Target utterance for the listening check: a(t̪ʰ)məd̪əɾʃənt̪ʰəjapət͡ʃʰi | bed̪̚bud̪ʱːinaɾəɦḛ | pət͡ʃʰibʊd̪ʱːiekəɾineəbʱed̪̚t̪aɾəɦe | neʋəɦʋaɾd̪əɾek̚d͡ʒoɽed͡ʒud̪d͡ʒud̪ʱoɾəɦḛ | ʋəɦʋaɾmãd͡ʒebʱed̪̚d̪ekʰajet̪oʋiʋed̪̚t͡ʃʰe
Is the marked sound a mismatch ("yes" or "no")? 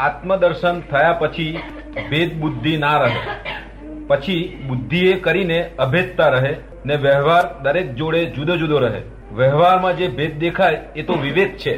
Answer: yes